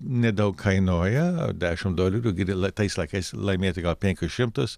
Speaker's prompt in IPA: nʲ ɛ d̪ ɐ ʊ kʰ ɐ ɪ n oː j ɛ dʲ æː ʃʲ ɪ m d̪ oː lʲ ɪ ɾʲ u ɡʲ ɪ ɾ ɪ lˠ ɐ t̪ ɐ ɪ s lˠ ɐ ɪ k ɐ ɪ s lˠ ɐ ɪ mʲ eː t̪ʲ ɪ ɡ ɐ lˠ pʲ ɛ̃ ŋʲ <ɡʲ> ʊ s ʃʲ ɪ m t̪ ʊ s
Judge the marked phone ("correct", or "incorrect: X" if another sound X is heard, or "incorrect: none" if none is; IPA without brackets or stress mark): incorrect: kʲ